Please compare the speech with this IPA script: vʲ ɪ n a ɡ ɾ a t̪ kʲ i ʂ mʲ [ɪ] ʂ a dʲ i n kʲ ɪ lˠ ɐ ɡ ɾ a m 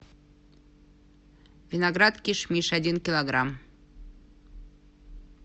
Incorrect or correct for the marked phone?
incorrect: i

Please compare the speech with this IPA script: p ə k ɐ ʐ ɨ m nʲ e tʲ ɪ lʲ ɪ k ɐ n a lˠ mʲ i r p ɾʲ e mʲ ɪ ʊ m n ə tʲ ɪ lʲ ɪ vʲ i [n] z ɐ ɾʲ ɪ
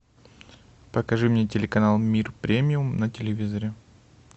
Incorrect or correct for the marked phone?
incorrect: none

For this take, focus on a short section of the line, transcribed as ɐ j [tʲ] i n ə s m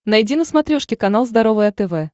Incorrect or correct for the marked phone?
incorrect: dʲ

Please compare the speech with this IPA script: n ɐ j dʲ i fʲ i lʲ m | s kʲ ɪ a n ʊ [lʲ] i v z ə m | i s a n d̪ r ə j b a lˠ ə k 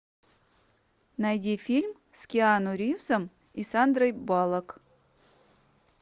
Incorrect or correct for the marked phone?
incorrect: ɾʲ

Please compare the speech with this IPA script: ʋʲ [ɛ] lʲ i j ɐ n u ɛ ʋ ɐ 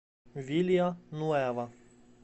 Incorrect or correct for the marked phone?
incorrect: i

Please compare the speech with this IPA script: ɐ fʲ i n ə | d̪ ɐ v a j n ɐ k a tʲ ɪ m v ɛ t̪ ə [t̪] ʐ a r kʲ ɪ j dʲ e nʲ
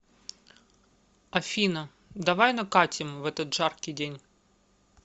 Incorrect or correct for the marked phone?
correct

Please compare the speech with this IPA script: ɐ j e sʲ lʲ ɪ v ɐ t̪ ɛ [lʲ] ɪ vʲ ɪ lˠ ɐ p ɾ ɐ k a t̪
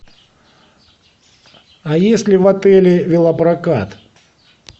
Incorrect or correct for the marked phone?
correct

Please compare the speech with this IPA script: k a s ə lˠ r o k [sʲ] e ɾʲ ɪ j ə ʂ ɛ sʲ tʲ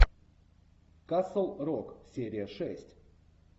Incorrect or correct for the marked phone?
correct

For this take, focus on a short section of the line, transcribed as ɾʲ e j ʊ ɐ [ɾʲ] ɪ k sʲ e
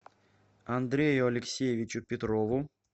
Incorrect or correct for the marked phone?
incorrect: lʲ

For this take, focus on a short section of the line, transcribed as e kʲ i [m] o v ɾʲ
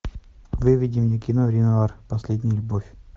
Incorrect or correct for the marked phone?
incorrect: n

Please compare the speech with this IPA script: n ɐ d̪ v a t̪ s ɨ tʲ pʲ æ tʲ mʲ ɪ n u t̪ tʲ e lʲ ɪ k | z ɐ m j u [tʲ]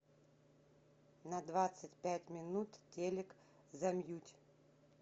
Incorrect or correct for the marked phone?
correct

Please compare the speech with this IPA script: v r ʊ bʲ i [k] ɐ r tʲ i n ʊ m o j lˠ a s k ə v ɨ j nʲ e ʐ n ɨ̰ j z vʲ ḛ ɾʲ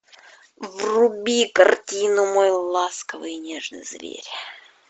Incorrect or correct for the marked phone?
correct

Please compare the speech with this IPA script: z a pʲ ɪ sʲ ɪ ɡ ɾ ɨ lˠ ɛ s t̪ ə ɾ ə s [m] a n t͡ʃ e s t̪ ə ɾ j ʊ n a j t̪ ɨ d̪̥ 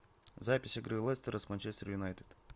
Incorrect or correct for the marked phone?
correct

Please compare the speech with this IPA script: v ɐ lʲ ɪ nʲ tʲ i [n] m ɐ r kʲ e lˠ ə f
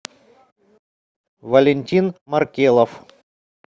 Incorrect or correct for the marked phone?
correct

